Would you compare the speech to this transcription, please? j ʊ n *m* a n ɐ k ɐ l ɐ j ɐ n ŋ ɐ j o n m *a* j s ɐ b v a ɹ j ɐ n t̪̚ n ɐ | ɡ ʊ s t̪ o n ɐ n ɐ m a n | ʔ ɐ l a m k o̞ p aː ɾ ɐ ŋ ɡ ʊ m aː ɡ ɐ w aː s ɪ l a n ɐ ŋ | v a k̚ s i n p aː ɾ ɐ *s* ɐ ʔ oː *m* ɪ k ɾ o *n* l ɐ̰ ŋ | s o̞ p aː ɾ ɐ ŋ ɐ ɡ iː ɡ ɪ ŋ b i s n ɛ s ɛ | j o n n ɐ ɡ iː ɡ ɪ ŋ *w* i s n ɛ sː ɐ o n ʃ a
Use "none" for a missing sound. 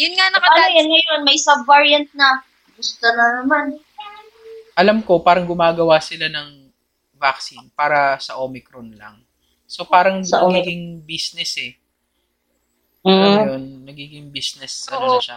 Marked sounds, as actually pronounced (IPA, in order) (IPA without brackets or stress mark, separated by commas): ŋ, ɐ, s, m, n, b